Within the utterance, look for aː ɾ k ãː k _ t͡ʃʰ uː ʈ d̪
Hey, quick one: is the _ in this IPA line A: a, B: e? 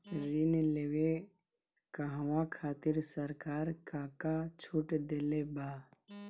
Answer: A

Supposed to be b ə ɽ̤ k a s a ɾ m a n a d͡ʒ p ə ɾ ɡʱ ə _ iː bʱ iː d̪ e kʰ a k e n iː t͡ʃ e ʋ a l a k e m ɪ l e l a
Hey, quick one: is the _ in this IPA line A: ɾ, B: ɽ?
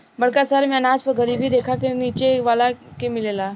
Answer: A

